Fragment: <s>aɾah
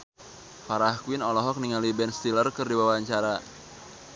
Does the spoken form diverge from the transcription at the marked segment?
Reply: yes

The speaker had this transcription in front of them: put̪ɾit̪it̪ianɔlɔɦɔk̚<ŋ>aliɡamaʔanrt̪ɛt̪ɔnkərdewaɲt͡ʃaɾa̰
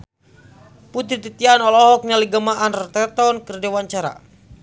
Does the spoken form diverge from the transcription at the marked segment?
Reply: yes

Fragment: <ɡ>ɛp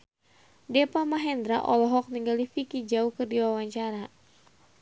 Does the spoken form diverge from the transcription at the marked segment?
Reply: yes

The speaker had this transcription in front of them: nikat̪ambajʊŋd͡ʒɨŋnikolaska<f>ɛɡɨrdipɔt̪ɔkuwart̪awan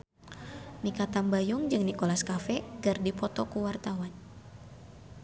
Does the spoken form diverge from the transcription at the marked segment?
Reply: no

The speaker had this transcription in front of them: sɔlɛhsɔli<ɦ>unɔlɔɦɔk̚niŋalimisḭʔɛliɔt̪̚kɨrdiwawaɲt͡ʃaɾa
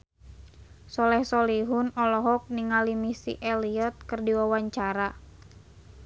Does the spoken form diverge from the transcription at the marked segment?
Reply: no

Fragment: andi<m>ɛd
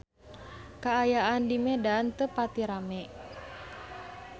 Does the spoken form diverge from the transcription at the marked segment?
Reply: no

